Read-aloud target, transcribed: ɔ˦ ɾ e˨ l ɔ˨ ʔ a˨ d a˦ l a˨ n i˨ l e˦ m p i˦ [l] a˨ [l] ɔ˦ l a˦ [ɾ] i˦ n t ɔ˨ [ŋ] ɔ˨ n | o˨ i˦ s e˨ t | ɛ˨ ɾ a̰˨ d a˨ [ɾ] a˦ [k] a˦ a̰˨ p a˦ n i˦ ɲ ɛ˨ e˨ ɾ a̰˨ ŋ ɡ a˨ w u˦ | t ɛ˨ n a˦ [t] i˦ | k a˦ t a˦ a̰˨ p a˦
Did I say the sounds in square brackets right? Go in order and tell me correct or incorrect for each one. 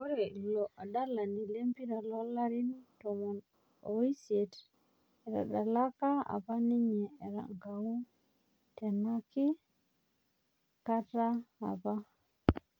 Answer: incorrect: ɾ, correct, correct, incorrect: m, incorrect: l, correct, incorrect: k

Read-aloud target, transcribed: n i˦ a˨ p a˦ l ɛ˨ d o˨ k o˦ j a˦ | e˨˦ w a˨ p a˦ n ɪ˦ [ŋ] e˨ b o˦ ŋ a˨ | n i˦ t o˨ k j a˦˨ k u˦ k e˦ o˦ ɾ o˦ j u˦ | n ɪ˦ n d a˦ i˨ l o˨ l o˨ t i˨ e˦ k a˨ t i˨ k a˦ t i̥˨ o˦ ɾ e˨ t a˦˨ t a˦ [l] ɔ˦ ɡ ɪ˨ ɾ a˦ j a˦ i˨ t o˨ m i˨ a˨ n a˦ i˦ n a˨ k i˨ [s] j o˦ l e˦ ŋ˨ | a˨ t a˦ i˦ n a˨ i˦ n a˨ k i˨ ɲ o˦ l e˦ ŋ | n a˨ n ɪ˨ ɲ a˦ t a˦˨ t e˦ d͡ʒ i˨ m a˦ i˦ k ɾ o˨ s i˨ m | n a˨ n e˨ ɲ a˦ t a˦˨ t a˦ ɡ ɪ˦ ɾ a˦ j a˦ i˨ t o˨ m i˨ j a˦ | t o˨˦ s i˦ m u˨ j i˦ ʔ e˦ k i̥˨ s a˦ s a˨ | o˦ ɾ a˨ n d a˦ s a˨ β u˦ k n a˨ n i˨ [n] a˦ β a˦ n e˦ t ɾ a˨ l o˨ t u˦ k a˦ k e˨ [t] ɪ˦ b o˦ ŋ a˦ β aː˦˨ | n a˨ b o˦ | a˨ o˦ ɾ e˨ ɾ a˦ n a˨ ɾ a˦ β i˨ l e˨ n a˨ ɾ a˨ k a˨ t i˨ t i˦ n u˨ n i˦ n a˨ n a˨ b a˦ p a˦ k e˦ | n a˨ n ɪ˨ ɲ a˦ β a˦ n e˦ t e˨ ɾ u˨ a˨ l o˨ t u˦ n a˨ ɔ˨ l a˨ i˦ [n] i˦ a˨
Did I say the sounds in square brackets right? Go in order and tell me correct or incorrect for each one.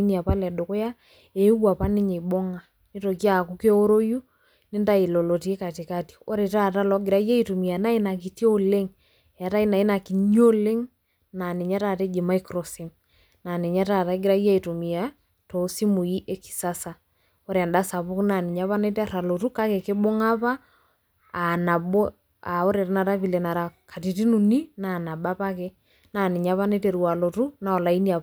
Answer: incorrect: ɲ, correct, incorrect: t, incorrect: ɲ, incorrect: k, correct

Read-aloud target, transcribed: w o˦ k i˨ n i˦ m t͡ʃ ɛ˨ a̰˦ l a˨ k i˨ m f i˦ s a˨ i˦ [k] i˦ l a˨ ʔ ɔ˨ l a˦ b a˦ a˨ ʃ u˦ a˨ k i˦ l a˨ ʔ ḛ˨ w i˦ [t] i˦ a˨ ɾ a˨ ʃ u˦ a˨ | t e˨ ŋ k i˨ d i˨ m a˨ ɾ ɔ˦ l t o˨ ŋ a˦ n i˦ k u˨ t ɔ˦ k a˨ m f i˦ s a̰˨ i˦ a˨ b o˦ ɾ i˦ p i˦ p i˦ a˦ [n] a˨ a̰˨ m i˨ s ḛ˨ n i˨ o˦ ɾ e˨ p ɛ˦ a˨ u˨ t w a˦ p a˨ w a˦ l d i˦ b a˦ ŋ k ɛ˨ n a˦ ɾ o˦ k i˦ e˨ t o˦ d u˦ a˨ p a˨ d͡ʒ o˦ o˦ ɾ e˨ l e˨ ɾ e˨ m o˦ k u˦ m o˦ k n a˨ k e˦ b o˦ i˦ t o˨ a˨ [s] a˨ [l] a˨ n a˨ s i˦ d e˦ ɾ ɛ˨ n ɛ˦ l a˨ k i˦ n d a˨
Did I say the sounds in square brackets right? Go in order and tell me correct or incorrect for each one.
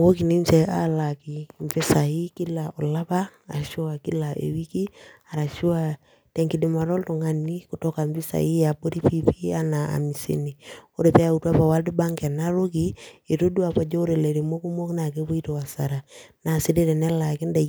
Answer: correct, incorrect: k, correct, correct, incorrect: ɾ

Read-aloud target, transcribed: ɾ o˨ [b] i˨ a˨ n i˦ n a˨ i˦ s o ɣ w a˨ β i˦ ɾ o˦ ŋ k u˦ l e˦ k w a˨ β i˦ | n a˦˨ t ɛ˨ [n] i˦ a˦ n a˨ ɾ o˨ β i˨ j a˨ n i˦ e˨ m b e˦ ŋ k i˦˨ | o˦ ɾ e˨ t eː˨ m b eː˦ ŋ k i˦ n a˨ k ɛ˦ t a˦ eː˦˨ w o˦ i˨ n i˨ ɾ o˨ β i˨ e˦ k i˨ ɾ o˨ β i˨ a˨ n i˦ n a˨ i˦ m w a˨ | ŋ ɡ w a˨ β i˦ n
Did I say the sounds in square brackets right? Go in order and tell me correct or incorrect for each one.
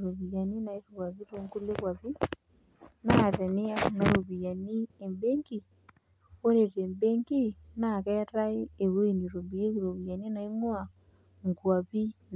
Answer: incorrect: β, correct

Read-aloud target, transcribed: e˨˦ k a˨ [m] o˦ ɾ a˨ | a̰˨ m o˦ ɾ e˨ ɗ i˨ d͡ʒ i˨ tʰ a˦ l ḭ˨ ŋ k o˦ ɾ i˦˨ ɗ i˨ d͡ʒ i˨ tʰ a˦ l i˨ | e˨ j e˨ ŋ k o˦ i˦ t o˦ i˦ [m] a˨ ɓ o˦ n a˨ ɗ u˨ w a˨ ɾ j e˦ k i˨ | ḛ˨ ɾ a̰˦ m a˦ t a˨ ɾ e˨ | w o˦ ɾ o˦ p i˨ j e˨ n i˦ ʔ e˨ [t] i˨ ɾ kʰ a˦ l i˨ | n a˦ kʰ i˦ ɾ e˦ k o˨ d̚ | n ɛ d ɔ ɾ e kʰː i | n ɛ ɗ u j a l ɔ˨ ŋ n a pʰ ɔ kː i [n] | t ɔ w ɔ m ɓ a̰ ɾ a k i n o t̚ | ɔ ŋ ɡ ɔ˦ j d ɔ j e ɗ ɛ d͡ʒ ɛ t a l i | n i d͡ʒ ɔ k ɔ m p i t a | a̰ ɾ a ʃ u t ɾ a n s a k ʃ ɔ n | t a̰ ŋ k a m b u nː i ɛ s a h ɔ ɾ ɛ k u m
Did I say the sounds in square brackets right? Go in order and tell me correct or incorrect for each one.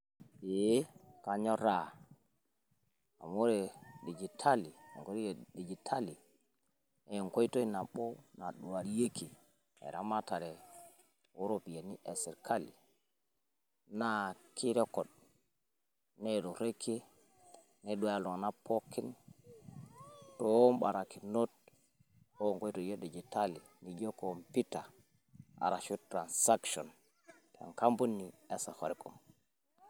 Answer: incorrect: ɲ, incorrect: n, incorrect: s, correct

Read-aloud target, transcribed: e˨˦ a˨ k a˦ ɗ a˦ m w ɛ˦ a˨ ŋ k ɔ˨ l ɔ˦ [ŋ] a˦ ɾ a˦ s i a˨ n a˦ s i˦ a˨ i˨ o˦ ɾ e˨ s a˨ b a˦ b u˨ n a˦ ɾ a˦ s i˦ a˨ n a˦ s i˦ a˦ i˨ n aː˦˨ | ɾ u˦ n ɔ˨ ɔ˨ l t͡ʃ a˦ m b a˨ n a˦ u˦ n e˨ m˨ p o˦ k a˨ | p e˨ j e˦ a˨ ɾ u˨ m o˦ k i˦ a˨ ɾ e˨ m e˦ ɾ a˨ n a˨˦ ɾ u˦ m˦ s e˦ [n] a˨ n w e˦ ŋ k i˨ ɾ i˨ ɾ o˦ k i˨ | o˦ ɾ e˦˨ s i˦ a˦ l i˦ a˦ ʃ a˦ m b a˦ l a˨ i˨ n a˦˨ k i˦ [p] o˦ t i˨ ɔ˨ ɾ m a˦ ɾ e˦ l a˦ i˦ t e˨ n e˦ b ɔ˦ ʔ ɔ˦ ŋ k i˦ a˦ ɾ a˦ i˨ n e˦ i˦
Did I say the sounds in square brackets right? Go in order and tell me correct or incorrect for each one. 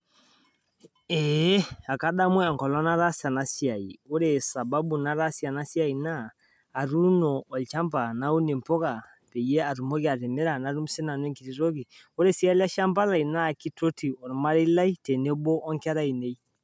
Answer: incorrect: n, correct, incorrect: t

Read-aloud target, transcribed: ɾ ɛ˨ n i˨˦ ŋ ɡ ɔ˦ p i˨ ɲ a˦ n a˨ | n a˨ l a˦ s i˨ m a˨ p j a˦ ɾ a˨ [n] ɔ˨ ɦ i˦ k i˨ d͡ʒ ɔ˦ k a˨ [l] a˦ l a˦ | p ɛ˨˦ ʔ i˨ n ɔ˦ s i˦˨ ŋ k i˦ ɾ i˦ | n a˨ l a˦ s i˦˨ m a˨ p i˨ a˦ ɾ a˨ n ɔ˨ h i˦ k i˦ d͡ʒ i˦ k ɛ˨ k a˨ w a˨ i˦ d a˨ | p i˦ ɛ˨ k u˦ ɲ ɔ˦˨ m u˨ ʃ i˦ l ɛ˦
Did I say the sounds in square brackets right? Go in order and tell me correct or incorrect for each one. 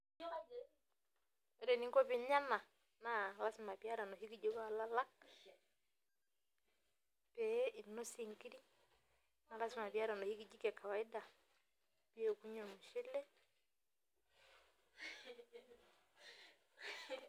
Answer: correct, correct

